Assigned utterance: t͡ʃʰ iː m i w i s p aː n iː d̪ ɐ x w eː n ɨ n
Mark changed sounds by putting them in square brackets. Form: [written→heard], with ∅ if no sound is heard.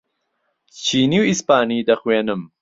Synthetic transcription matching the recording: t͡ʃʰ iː [m→n] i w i s p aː n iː d̪ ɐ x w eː n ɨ [n→m]

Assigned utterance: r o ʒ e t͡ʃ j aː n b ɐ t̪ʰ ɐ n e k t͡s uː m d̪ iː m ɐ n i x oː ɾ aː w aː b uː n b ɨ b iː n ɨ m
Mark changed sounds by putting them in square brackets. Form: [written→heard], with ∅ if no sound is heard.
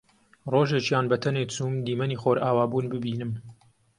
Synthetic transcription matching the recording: r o ʒ e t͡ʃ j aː n b ɐ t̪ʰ ɐ n e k t͡s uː m d̪ iː m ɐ n i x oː ɾ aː w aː b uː n b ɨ b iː n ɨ m

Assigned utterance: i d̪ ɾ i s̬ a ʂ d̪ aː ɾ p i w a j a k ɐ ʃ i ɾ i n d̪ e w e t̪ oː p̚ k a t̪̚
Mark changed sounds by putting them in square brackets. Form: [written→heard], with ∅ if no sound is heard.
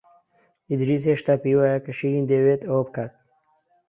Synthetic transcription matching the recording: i d̪ ɾ i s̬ [a→e] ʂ [d̪→t̪] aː [ɾ→∅] p i w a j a k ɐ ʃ i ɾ i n d̪ e w e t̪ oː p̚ k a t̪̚

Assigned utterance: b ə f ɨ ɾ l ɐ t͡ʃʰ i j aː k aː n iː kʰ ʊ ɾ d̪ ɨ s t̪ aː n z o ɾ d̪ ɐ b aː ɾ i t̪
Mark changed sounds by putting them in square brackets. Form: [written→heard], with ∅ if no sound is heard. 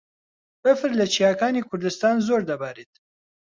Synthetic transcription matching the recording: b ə f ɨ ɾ l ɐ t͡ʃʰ i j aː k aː n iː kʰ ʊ ɾ d̪ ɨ s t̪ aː n z o ɾ d̪ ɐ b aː ɾ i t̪

